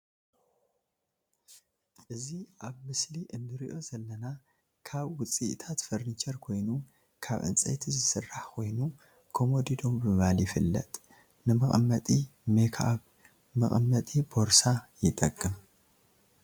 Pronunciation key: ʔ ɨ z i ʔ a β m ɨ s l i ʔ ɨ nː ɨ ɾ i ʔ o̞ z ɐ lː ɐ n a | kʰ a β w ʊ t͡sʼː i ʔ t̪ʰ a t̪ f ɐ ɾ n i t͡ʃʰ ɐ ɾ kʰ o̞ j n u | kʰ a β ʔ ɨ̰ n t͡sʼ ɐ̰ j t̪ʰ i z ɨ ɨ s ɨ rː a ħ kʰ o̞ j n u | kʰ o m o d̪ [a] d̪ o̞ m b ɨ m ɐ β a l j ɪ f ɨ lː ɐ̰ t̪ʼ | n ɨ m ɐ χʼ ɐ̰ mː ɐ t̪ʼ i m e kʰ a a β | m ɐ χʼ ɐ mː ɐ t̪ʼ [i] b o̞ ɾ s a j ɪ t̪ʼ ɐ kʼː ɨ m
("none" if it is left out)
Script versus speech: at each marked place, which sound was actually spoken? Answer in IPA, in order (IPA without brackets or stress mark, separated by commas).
i, i